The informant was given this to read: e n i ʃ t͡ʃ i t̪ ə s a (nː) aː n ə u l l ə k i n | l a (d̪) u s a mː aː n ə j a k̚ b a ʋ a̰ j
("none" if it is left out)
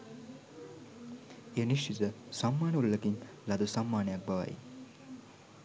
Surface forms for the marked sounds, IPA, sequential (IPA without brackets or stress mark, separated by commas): mː, d̪